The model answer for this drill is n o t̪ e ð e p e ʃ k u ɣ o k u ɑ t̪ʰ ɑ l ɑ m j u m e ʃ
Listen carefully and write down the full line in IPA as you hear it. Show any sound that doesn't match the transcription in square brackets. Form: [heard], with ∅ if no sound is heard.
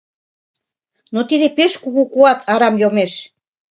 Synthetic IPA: n o t̪ [i] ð e p e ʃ k u ɣ [u] k u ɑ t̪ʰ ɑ [ɾ] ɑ m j [o] m e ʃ